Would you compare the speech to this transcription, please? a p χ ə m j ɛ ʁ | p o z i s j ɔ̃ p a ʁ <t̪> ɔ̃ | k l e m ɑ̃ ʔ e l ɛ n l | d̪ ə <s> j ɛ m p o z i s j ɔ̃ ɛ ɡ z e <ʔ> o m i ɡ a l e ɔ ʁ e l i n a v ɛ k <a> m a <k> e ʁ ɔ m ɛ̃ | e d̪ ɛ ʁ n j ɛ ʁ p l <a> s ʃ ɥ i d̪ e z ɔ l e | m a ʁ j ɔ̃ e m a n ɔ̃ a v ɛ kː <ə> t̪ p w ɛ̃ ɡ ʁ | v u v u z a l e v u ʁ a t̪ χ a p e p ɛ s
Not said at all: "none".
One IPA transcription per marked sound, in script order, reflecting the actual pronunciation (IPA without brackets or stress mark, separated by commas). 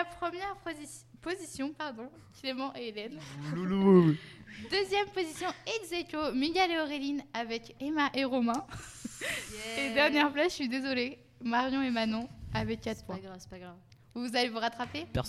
d̪, z, k, e, ʔ, a, a